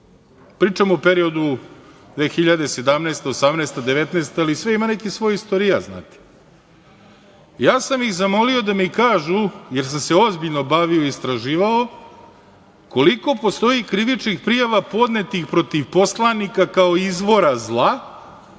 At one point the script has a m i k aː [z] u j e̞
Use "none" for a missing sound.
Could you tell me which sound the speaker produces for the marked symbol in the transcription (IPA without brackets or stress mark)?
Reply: ʒ